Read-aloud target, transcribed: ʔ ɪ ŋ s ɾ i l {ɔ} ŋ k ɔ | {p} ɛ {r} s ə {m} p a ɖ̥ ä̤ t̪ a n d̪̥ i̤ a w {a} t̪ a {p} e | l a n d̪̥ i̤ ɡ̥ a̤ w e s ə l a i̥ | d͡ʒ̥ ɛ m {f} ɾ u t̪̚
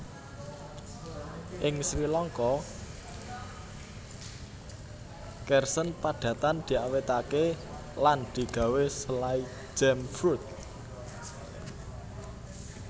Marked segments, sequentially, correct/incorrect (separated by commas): correct, incorrect, correct, incorrect, incorrect, incorrect, correct